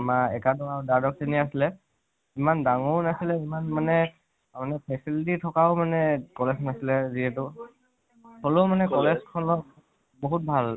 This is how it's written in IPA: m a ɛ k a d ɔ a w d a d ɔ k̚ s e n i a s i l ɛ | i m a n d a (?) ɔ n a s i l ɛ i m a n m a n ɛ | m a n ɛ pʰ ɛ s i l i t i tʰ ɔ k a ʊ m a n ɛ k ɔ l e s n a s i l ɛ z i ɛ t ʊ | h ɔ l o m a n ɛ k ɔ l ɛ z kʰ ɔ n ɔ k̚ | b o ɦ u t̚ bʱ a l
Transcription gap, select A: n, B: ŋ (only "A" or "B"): B